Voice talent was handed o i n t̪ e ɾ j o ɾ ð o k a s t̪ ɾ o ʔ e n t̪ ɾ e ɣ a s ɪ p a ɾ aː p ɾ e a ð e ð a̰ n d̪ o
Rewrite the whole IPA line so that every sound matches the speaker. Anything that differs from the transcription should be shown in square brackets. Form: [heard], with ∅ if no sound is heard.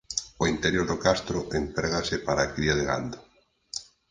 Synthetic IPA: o i n t̪ e ɾ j o ɾ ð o k a s t̪ ɾ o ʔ e n t̪ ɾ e ɣ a s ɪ p a ɾ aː [k] ɾ [i] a ð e [ɣ] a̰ n d̪ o